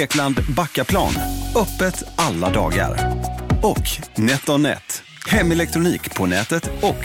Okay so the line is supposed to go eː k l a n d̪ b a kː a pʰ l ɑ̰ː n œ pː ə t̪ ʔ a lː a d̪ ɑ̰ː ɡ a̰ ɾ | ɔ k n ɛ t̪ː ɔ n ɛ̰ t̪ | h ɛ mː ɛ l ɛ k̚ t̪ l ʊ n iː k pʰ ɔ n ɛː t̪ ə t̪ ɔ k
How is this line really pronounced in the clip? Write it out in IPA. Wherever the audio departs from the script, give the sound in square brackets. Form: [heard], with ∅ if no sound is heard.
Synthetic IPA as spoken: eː k l a n d̪ b a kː a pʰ l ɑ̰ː n œ pː ə t̪ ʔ a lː a d̪ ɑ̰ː ɡ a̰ ɾ | ɔ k n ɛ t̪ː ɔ n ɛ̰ t̪ | h ɛ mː ɛ l ɛ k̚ t̪ [ɾ] ʊ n iː k pʰ ɔ n ɛː t̪ ə t̪ ɔ k